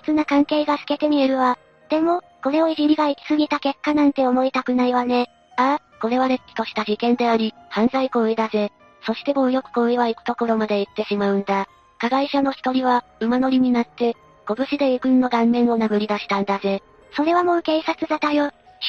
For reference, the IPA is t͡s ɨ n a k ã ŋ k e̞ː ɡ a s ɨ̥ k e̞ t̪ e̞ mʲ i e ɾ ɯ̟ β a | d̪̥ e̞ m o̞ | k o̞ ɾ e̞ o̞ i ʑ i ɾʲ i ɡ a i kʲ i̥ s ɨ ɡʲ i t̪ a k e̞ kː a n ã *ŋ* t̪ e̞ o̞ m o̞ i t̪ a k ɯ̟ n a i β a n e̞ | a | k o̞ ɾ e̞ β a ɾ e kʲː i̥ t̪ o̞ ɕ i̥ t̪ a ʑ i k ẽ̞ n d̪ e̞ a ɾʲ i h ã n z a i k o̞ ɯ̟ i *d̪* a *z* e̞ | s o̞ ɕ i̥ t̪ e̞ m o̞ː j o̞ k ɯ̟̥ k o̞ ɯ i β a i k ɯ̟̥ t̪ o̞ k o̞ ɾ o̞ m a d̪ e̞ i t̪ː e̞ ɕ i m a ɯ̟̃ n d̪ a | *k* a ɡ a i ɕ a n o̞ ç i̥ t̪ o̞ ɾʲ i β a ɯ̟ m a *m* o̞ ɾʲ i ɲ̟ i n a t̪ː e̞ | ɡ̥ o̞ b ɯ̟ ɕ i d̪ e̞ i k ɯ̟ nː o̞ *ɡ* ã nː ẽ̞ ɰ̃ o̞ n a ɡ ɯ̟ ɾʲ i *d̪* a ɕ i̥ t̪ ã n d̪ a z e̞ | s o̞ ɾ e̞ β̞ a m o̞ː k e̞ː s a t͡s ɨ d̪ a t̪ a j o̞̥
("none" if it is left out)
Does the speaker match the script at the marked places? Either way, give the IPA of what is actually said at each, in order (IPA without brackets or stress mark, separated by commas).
n, d̪, z, k, n, ɡ, d̪